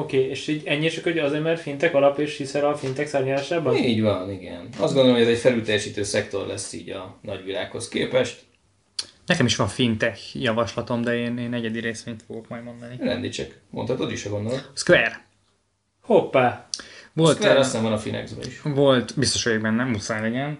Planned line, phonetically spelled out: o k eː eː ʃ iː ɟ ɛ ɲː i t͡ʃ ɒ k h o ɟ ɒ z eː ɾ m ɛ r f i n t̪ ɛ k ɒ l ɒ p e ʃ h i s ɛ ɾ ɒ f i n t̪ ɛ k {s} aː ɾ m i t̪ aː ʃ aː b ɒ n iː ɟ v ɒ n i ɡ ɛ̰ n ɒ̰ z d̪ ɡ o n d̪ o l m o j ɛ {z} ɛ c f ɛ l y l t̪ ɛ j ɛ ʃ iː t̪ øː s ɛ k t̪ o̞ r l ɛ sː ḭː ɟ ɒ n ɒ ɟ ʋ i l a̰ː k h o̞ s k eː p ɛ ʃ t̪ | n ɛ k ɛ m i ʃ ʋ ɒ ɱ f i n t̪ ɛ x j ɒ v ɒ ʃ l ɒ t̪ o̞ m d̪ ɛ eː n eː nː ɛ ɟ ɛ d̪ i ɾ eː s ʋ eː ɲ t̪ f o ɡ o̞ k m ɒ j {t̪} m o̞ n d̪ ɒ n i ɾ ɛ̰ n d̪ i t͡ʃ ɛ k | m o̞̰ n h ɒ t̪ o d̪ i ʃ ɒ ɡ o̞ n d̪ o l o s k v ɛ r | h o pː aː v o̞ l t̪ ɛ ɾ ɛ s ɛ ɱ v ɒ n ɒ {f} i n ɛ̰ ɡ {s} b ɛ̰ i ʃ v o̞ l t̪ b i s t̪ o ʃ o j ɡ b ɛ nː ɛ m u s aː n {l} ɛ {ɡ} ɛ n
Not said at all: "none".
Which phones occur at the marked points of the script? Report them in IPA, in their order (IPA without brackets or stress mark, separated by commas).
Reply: s, z, d̪, f, z, l, ɟ